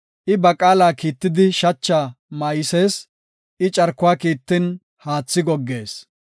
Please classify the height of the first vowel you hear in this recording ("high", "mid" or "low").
high